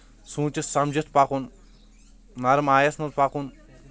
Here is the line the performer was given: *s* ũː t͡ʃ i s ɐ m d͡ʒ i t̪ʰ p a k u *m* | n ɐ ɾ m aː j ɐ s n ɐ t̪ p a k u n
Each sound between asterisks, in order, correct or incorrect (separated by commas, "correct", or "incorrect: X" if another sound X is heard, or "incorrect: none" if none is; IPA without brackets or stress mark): correct, incorrect: n